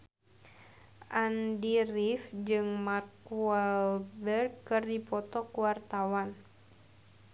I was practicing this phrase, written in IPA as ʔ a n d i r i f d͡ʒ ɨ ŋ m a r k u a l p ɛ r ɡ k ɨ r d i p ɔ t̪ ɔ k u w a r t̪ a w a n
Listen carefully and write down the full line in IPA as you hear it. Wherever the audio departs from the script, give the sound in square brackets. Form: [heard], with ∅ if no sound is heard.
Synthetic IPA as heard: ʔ a n d i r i f d͡ʒ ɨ ŋ m a r k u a l [b] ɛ r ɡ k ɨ r d i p ɔ t̪ ɔ k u w a r t̪ a w a n